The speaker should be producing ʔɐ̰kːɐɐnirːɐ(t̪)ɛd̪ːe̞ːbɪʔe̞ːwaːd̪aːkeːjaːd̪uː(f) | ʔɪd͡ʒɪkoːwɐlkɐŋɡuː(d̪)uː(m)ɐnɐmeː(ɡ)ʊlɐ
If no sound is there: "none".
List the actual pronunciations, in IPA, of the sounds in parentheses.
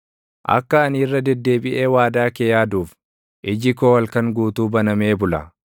d̪, f, t̪, b, b

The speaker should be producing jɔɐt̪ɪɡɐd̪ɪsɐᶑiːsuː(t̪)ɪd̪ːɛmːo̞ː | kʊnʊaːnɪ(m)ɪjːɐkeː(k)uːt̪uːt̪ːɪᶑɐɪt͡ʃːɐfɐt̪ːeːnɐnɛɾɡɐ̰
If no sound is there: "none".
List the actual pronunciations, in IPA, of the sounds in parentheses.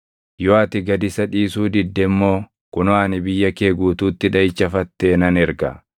d̪, b, ɡ

